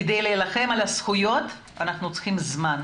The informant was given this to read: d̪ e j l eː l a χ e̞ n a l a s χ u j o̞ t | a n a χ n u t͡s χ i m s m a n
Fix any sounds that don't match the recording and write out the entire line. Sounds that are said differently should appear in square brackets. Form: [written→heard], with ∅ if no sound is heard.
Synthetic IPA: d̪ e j l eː l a χ e̞ [n→m] a l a s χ u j o̞ t | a n a χ n u t͡s χ i m [s→z] m a n